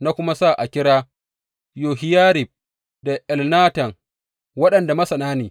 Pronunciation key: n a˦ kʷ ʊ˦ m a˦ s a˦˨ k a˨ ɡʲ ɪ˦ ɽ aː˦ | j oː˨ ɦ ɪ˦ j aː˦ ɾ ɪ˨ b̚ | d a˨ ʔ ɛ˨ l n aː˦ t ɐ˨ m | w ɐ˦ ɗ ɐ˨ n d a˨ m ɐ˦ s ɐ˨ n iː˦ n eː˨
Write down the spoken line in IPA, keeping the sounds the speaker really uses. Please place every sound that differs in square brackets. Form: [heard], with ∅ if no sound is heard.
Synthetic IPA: n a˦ kʷ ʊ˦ m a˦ s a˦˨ [ʔ] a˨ [kʲ] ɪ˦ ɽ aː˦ | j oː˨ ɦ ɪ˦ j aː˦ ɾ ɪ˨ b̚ | d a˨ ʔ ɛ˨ l n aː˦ t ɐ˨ [ŋ] | w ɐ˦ ɗ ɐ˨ n d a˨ m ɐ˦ s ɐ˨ n [aː˦] n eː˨